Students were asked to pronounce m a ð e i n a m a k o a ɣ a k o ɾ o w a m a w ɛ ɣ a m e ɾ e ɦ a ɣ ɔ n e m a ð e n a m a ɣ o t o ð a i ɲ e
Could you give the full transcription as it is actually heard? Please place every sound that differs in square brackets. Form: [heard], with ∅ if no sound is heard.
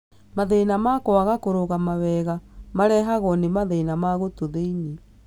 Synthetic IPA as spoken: m a ð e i n a m a k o a ɣ a k o ɾ o [ɣ] a m a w ɛ ɣ a m [a] ɾ [ɛ] ɦ a ɣ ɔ n e m a ð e n a m a ɣ o t o ð [e] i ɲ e